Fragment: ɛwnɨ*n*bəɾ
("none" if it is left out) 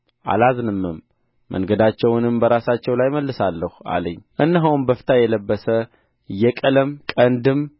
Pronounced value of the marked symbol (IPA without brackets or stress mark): m